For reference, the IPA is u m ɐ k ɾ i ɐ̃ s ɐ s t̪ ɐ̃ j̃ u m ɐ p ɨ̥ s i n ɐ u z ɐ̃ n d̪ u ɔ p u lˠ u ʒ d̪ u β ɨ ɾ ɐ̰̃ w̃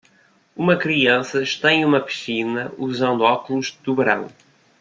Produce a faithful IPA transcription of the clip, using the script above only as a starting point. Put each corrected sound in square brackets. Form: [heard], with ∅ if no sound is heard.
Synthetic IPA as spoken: u m ɐ k ɾ i ɐ̃ s ɐ [ʃ] t̪ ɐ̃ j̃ u m ɐ p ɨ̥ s i n ɐ u z ɐ̃ n d̪ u ɔ [k] u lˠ u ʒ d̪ u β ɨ ɾ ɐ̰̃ w̃